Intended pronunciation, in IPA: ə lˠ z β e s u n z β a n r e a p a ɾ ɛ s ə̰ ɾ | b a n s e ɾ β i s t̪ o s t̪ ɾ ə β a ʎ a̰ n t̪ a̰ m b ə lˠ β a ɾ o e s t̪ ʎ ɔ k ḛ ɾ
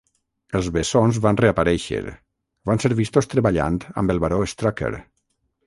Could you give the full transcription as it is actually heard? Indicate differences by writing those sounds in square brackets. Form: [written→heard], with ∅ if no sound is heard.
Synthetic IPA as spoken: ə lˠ z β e s [u→o] n z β a n r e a p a ɾ ɛ [s→ʃ] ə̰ ɾ | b a n s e ɾ β i s t̪ o s t̪ ɾ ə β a ʎ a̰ n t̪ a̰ m b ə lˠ β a ɾ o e s t̪ [ʎ→ɾ] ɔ k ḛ ɾ